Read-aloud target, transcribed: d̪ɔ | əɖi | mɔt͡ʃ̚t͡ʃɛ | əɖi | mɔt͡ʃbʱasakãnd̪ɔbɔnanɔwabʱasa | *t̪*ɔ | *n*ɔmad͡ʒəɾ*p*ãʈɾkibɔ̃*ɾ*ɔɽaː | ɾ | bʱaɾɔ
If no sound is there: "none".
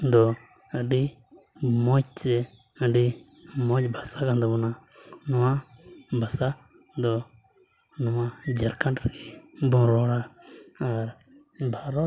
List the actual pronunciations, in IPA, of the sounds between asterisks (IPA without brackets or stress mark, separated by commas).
d̪, n, k, ɾ